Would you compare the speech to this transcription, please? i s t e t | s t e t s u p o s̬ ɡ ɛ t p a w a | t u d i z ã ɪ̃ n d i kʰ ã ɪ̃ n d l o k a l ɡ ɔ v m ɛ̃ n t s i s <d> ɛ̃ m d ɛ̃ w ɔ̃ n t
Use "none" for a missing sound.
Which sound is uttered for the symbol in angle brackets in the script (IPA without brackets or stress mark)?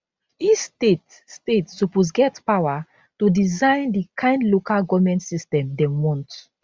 t